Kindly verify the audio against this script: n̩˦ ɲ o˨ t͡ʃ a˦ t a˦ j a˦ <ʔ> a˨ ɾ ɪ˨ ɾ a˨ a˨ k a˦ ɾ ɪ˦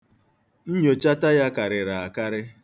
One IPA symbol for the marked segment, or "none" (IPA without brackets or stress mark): k